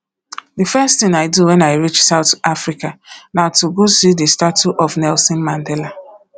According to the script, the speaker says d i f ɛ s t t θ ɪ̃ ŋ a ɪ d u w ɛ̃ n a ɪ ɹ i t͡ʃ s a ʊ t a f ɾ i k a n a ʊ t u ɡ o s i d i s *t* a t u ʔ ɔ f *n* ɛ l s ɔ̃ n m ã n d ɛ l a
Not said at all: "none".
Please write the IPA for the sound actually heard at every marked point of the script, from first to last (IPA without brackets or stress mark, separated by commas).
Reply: t, n